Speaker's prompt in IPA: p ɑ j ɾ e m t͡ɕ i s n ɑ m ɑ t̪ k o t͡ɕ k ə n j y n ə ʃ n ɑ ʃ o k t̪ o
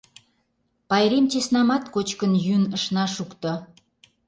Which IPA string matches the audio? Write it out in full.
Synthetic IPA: p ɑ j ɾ e m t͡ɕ e s n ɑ m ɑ t̪ k o t͡ɕ k ə n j y n ə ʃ n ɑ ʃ u k t̪ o

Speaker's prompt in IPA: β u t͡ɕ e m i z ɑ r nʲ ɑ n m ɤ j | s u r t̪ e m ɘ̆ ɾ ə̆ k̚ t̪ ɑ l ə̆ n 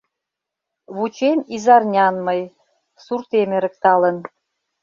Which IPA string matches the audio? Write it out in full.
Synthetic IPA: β u t͡ɕ e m i z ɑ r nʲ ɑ n m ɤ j | s u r t̪ e m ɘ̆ ɾ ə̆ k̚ t̪ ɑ l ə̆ n

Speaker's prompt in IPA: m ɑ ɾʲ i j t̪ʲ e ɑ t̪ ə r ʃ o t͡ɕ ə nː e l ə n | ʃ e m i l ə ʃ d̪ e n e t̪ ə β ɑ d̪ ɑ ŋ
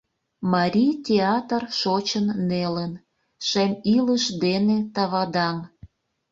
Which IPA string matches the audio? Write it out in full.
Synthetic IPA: m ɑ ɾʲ i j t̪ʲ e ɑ t̪ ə r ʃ o t͡ɕ ə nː e l ə n | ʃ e m i l ə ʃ d̪ e n e t̪ ɑ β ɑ d̪ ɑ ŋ

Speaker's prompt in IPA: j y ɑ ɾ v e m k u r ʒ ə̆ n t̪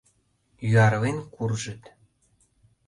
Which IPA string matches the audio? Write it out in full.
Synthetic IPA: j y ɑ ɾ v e n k u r ʒ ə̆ t̪

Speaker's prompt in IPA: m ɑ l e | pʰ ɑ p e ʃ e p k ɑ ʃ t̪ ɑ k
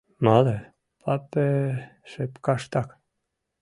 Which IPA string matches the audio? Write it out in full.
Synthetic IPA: m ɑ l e | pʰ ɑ p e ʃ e p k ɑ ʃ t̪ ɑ k

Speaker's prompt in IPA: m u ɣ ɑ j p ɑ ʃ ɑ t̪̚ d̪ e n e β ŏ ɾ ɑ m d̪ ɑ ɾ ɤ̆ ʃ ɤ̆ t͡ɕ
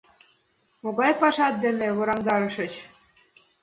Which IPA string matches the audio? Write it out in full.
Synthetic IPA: m o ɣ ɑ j p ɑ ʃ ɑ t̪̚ d̪ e n e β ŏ ɾ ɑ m d̪ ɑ ɾ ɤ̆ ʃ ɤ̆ t͡ɕ

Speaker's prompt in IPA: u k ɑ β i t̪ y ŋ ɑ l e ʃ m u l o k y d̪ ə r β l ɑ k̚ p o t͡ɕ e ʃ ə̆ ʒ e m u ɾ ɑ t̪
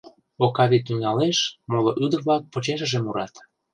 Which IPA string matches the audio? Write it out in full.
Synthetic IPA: o k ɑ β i t̪ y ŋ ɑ l e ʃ m o l o ʔ y d̪ ə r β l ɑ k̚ p o t͡ɕ e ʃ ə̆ ʒ e m u ɾ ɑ t̪

